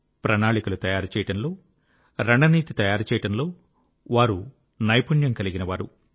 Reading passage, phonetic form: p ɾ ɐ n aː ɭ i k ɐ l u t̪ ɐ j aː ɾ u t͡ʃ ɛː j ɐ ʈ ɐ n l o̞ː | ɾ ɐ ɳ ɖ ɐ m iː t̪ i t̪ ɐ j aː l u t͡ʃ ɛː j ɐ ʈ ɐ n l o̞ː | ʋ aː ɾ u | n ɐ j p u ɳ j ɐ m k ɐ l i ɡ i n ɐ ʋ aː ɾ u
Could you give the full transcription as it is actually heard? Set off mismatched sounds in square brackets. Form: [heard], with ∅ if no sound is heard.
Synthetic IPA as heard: p ɾ ɐ n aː ɭ i k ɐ l u t̪ ɐ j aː ɾ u t͡ʃ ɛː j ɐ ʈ ɐ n l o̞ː | ɾ ɐ ɳ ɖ ɐ [n] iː t̪ i t̪ ɐ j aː [ɾ] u t͡ʃ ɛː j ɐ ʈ ɐ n l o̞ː | ʋ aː ɾ u | n ɐ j p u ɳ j ɐ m k ɐ l i ɡ i n ɐ ʋ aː ɾ u